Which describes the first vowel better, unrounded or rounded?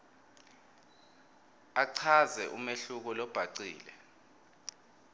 unrounded